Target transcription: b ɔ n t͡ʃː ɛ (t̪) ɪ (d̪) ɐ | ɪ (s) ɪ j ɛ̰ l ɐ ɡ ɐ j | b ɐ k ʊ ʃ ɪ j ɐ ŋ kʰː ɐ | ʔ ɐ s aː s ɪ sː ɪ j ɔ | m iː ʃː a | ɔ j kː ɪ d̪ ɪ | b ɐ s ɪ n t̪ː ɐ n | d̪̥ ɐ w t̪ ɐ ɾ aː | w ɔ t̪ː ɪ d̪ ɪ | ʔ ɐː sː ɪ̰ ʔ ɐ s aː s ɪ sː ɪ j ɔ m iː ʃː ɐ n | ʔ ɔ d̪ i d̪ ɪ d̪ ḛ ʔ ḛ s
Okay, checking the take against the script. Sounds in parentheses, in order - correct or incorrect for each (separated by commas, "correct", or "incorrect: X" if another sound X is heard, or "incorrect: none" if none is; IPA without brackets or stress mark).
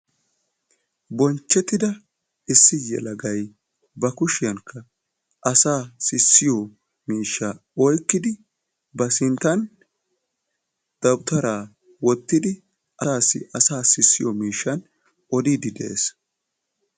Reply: correct, correct, incorrect: sː